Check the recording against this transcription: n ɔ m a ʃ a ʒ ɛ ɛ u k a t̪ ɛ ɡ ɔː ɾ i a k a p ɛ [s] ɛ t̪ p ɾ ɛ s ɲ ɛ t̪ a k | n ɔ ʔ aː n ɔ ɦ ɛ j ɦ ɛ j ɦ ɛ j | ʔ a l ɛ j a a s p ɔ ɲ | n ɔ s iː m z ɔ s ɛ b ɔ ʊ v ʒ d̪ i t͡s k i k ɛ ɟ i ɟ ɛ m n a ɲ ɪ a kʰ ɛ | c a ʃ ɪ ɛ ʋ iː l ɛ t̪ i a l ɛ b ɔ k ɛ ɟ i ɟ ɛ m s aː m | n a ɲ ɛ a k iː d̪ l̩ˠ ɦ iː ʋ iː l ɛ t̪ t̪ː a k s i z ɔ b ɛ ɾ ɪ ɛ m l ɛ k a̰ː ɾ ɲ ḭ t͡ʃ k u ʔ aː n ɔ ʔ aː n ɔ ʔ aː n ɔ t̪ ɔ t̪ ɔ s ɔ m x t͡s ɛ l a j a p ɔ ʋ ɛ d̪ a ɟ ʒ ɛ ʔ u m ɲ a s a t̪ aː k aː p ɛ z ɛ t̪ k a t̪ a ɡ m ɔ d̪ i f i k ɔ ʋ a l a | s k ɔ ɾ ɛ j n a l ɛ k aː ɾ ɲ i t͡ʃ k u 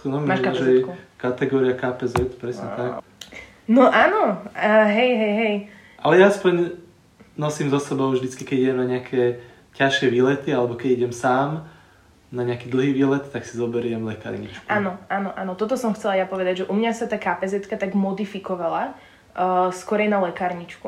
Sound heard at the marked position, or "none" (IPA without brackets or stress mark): z